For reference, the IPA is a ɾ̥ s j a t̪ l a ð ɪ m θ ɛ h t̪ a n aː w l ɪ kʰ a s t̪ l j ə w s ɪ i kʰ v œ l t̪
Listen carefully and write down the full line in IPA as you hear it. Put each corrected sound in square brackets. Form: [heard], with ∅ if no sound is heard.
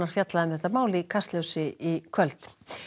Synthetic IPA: a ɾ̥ [f] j a t̪ l a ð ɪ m θ ɛ h t̪ a [m] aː w l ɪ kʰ a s t̪ l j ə w s ɪ i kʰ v œ l t̪